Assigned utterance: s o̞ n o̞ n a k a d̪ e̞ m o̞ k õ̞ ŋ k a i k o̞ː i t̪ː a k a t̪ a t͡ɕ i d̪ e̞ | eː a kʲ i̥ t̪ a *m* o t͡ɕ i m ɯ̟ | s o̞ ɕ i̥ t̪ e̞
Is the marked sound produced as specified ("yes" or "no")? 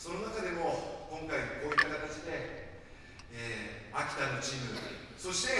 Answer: no